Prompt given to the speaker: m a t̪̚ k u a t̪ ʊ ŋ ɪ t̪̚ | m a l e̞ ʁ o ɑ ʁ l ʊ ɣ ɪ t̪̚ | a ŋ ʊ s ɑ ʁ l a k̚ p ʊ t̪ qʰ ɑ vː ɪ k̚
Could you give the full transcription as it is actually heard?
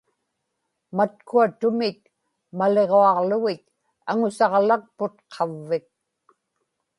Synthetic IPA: m a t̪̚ k u a t̪ ʊ m ɪ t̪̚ | m a l e̞ ʁ o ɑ ʁ l ʊ ɣ ɪ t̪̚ | a ŋ ʊ s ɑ ʁ l a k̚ p ʊ t̪ qʰ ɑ vː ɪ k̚

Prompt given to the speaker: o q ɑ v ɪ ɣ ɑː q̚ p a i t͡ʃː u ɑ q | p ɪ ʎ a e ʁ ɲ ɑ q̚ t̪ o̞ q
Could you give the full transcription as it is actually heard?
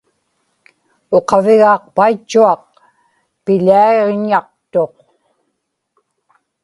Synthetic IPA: o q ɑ v ɪ ɣ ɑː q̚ p a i t͡ʃː u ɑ q | p ɪ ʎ a e ʁ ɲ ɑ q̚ t̪ o̞ q

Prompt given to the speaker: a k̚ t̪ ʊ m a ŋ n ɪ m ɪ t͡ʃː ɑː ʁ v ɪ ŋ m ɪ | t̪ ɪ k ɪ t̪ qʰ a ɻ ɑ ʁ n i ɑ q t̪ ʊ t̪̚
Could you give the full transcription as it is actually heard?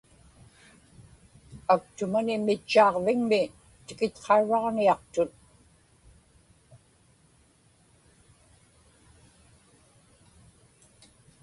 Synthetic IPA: a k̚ t̪ ʊ m a n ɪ m ɪ t͡ʃː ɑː ʁ v ɪ ŋ m ɪ | t̪ ɪ k ɪ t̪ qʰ ɑ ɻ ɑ ʁ n i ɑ q t̪ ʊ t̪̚

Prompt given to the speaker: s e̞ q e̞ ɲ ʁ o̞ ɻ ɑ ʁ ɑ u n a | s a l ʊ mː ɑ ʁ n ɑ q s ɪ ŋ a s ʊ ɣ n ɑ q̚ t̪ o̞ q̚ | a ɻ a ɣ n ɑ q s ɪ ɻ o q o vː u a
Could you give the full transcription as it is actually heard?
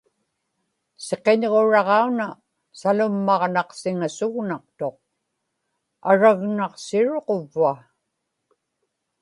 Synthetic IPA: s e̞ q e̞ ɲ ʁ o̞ ɻ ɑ ʁ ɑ u n a | s a l ʊ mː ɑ ʁ n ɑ q s ɪ ŋ a s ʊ ɣ n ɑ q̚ t̪ o̞ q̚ | a ɻ a ɣ n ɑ q s ɪ ɻ o q o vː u a

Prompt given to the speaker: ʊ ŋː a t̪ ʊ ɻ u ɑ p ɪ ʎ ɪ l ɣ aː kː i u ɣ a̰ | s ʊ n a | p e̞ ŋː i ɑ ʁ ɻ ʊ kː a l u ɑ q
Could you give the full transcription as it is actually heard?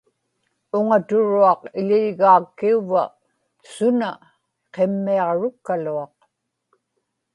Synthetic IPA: ʊ ŋ a t̪ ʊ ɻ u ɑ q ɪ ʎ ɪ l ɣ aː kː i u v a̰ | s ʊ n a | q e̞ mː i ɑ ʁ ɻ ʊ kː a l u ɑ q

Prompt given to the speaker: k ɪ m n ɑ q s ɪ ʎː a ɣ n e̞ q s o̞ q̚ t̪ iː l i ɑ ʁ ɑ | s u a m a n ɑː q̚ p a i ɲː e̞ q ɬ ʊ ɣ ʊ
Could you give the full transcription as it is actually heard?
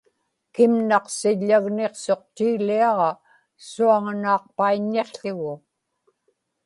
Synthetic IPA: k ɪ m n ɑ q s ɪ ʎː a ɣ n e̞ q s o̞ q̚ t̪ iː l i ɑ ʁ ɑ | s u a ŋ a n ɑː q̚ p a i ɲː e̞ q ɬ ʊ ɣ ʊ

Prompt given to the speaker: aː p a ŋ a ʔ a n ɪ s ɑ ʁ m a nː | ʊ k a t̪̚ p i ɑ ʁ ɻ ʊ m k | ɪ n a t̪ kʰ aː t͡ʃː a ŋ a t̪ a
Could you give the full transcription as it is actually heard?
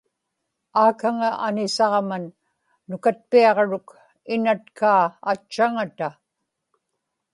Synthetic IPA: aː k a ŋ a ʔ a n ɪ s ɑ ʁ m a nː | ʊ k a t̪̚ p i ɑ ʁ ɻ ʊ k | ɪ n a t̪ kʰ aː t͡ʃː a ŋ a t̪ a

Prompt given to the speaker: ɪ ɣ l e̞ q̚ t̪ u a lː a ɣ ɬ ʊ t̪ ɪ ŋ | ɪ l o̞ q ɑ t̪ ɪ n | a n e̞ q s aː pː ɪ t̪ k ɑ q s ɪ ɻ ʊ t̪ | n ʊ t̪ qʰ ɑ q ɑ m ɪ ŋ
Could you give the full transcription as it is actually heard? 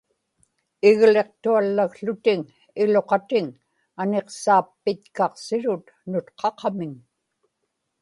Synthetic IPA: ɪ ɣ l e̞ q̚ t̪ u a lː a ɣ ɬ ʊ t̪ ɪ ŋ | ɪ l o̞ q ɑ t̪ ɪ ŋ | a n e̞ q s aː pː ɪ t̪ k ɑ q s ɪ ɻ ʊ t̪ | n ʊ t̪ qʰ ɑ q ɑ m ɪ ŋ

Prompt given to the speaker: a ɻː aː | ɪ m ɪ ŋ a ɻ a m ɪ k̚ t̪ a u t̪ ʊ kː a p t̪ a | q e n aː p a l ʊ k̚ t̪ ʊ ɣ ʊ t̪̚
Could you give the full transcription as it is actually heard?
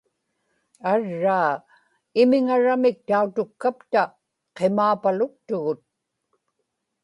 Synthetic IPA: a ɻː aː | ɪ m ɪ ŋ a ɻ a m ɪ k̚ t̪ a u t̪ ʊ kː a p t̪ a | q e m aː p a l ʊ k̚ t̪ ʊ ɣ ʊ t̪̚

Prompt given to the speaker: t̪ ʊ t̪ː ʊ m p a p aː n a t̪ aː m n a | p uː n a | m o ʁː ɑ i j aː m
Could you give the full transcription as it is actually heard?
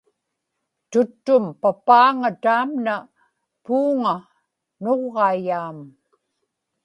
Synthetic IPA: t̪ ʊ t̪ː ʊ m p a p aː ŋ a t̪ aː m n a | p uː ŋ a | n o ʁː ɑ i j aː m

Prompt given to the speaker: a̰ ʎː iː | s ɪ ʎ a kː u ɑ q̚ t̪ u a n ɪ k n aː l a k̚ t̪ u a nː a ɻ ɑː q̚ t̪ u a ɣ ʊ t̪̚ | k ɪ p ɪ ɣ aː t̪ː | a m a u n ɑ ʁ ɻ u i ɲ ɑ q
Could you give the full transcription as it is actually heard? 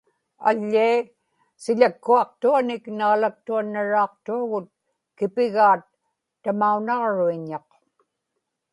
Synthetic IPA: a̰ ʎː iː | s ɪ ʎ a kː u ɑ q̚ t̪ u a n ɪ k n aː l a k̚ t̪ u a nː a ɻ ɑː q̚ t̪ u a ɣ ʊ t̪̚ | k ɪ p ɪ ɣ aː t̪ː | a m a u n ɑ ʁ ɻ u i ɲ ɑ q

